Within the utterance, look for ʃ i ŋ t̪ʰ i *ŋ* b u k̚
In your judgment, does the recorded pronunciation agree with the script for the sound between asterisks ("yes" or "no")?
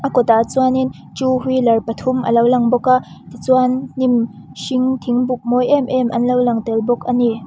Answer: yes